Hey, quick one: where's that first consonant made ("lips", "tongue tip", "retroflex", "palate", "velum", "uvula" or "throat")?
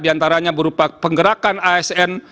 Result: tongue tip